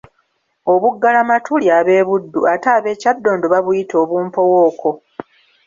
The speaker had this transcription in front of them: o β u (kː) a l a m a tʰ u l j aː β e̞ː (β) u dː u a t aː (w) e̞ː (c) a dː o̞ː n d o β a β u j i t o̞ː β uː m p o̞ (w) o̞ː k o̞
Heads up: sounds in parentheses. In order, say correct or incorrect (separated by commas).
incorrect, correct, incorrect, correct, correct